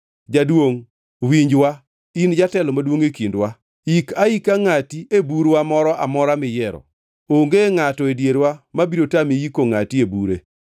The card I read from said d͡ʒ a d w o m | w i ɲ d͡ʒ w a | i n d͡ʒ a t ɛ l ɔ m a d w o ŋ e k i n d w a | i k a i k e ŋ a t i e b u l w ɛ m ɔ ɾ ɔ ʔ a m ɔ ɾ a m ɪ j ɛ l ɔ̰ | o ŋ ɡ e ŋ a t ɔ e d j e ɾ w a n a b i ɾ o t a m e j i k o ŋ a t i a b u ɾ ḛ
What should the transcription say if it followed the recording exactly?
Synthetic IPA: d͡ʒ a d w o ŋ | w i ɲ d͡ʒ w a | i n d͡ʒ a t ɛ l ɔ m a d w o ŋ e k i n d w a | i k a i k a ŋ a t i e b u ɾ w a m ɔ ɾ ɔ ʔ a m ɔ ɾ a m ɪ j ɛ ɾ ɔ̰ | o ŋ ɡ e ŋ a t ɔ e d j e ɾ w a m a b i ɾ o t a m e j i k o ŋ a t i e b u ɾ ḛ